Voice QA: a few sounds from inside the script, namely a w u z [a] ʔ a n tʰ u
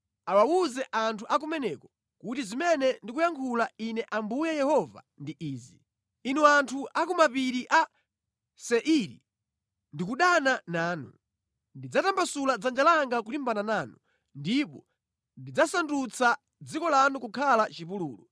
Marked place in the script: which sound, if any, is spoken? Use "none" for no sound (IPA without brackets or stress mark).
ɛ